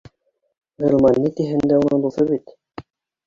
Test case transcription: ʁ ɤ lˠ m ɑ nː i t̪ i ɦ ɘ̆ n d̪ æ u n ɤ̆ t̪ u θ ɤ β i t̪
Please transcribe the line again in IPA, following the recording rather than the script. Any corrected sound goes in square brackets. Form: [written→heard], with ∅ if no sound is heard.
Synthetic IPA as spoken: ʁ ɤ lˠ m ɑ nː i t̪ i ɦ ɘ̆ n d̪ æ u n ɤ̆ [t̪→d̪] u θ ɤ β i t̪